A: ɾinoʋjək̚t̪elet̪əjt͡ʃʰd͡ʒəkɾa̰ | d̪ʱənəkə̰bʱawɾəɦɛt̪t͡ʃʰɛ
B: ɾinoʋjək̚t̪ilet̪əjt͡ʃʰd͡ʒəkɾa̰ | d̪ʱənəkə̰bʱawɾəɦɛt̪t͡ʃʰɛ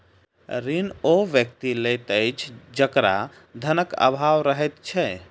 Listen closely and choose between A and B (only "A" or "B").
B